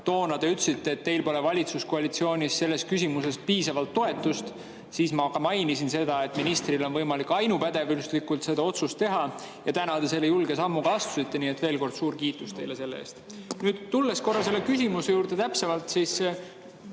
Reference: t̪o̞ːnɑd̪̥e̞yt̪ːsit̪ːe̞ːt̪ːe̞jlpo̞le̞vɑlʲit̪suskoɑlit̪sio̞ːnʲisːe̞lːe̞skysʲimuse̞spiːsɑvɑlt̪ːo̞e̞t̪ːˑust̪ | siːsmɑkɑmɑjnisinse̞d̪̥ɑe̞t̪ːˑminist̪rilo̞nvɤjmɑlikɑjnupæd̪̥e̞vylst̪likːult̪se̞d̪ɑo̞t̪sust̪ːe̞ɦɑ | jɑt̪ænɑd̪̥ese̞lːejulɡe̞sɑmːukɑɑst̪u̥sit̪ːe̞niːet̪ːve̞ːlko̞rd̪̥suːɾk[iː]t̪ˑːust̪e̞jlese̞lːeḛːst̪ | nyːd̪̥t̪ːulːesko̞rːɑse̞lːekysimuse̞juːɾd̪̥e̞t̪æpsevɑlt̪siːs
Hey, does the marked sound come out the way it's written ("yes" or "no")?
yes